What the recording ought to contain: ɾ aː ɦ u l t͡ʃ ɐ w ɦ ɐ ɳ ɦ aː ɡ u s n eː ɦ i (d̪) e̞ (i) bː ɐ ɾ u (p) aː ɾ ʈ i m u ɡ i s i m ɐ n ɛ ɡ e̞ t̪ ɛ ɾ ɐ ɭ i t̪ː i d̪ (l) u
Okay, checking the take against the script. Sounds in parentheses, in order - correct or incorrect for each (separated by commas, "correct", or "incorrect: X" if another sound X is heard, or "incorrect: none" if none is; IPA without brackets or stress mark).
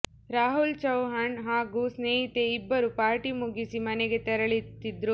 incorrect: t̪, correct, correct, incorrect: ɾ